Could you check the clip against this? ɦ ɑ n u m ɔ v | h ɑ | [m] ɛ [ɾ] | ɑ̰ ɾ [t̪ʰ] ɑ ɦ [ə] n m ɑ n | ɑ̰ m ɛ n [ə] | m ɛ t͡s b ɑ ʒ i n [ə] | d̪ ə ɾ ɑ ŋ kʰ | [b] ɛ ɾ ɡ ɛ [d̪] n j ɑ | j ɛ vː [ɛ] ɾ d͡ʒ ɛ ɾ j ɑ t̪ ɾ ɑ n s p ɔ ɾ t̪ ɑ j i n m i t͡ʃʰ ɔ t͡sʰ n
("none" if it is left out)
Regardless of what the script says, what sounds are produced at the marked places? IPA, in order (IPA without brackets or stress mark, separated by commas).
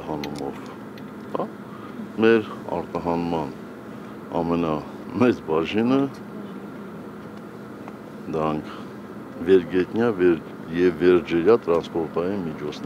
m, ɾ, t̪, ɑ, ɑ, ə, v, t̪, ɛ